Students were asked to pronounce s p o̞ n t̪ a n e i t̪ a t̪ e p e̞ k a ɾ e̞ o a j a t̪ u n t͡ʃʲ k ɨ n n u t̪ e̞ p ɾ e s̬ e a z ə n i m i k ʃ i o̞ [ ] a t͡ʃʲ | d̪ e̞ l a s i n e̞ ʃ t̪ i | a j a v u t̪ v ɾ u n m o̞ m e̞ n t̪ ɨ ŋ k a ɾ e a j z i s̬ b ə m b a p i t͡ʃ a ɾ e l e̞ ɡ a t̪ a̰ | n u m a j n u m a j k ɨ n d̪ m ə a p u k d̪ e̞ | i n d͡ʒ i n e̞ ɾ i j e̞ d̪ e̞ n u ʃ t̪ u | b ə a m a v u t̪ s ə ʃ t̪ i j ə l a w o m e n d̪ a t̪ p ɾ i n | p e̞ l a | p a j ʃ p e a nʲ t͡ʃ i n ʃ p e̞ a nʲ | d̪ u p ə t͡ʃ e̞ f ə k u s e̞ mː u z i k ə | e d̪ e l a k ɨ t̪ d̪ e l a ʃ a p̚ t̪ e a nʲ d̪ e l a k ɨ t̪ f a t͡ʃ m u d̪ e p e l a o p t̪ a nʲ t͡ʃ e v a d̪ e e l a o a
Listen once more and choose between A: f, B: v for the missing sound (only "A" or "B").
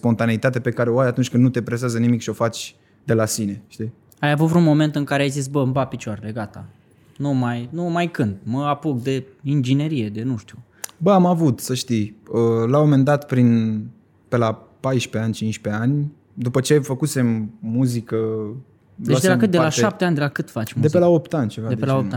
A